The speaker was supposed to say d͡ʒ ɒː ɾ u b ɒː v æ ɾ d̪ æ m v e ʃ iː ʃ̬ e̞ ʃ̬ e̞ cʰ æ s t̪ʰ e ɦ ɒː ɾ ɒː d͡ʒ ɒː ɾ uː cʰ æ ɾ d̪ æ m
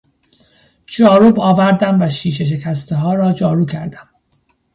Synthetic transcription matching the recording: d͡ʒ ɒː ɾ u b ɒː v æ ɾ d̪ æ m v æ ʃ iː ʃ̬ e̞ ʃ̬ e̞ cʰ æ s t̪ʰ e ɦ ɒː ɾ ɒː d͡ʒ ɒː ɾ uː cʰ æ ɾ d̪ æ m

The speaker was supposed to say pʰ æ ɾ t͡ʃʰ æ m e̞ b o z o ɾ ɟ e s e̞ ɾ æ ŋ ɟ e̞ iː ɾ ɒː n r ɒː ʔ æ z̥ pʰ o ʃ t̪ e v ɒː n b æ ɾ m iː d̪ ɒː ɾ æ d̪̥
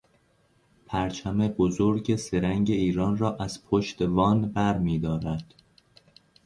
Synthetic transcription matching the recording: pʰ æ ɾ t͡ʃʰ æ m e̞ b o z o ɾ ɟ e s e̞ ɾ æ ŋ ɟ e̞ iː ɾ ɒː n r ɒː ʔ æ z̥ pʰ o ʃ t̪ e v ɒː n b æ ɾ m iː d̪ ɒː ɾ æ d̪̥

